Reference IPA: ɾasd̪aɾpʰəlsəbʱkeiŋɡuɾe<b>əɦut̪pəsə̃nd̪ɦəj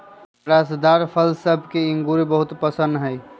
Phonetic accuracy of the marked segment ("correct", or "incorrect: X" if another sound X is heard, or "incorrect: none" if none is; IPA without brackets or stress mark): correct